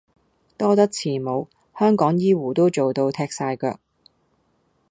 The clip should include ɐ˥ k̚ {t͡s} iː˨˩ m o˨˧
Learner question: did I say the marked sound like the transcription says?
no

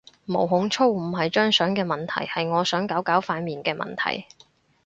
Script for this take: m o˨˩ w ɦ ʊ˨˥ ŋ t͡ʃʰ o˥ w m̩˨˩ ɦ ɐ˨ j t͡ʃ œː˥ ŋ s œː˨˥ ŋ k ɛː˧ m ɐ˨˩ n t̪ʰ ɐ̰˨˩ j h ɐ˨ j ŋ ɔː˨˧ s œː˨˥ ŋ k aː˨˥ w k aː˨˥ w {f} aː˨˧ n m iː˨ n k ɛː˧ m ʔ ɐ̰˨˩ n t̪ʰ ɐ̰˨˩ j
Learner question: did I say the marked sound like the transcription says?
yes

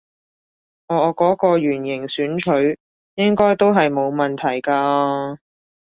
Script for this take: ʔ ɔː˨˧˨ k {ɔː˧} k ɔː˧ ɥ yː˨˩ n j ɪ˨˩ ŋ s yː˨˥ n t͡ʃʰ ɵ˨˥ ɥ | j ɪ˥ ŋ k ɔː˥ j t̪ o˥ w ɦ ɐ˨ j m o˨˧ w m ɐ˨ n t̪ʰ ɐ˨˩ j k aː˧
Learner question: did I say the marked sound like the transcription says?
no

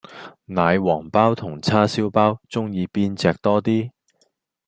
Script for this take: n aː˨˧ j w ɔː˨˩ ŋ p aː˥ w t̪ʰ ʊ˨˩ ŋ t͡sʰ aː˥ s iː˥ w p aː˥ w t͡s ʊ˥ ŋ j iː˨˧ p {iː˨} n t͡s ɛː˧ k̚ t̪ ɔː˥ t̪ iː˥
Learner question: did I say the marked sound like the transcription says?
no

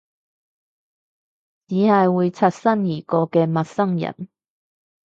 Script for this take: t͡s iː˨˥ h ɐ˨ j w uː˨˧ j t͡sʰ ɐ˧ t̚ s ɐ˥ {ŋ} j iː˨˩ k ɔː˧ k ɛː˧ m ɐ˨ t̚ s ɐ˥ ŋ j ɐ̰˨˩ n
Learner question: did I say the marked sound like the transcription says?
no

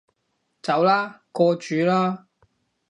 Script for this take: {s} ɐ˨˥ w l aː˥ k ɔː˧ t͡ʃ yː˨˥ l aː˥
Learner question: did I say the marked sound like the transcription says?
no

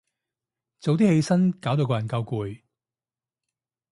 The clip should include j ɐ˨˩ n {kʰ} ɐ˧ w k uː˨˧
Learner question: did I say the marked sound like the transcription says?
no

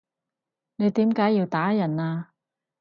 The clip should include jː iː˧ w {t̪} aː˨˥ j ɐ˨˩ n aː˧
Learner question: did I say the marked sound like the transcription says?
yes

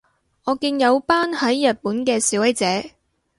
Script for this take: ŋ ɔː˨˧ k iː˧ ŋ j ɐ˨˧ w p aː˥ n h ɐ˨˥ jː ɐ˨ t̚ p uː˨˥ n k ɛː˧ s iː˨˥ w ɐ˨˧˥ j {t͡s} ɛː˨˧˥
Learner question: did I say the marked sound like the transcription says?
yes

